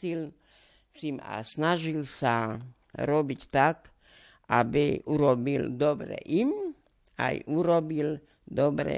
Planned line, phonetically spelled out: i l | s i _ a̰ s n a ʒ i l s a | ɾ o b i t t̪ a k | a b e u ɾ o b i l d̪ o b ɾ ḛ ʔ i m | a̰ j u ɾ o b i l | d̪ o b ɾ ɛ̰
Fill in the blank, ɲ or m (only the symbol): m